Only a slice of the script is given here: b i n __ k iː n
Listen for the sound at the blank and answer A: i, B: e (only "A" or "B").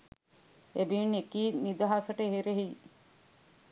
B